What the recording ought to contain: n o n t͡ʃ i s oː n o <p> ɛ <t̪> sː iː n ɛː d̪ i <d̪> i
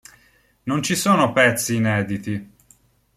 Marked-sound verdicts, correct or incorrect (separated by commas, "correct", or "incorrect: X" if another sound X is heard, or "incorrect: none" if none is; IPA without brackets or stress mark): correct, correct, incorrect: t̪